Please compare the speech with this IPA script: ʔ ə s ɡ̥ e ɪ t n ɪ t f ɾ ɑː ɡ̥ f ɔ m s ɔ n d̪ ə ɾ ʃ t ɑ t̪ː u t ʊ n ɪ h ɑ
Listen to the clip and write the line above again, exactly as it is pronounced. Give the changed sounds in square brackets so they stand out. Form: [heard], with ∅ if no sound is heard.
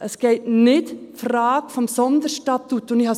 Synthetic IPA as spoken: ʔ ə s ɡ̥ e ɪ t n ɪ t f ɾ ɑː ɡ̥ f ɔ m s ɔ n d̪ ə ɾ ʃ t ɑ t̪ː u t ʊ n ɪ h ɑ